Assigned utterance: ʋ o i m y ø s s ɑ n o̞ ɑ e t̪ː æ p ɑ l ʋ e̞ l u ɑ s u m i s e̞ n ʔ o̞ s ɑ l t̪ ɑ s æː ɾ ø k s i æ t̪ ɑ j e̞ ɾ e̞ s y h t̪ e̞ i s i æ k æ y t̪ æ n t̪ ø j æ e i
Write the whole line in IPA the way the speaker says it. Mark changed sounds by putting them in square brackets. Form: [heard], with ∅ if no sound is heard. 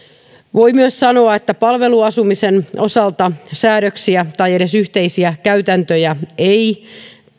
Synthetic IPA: ʋ o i m y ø s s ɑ n o̞ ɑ e t̪ː æ p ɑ l ʋ e̞ l u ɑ s u m i s e̞ n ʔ o̞ s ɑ l t̪ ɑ s æː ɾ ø k s i æ t̪ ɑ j e̞ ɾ e̞ s y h t̪ e̞ i s i æ k æ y t̪ æ n t̪ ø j æ e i